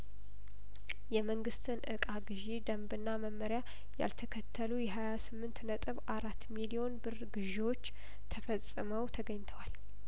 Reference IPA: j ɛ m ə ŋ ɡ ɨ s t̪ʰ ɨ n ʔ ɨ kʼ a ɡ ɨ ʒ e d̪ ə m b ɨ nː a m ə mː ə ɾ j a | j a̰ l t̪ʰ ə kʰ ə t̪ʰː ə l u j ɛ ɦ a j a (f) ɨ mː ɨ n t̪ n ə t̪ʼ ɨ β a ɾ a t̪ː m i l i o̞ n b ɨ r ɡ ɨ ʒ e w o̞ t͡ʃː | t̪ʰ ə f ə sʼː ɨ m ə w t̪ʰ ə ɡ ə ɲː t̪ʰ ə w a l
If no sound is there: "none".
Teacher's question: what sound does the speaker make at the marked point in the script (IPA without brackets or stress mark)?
s